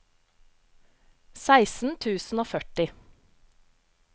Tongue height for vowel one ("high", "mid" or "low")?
low